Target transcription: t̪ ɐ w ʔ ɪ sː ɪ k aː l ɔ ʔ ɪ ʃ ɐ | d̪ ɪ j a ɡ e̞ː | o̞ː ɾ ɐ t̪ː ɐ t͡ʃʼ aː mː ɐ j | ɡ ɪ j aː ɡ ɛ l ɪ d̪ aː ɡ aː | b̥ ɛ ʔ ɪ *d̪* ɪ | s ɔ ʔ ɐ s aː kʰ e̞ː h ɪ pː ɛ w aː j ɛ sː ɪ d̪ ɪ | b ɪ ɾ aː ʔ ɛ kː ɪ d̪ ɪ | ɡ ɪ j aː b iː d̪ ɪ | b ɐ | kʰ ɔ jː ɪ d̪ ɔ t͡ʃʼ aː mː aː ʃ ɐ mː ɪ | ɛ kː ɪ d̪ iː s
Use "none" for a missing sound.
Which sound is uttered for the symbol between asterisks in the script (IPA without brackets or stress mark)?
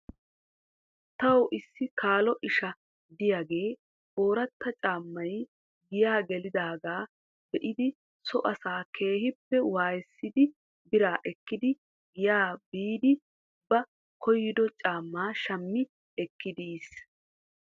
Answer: d̪